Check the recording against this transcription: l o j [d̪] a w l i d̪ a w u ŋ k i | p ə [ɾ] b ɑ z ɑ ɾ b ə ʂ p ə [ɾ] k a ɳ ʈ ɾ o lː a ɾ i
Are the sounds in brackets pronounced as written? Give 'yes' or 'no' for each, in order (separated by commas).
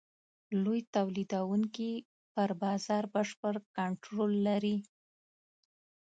no, yes, yes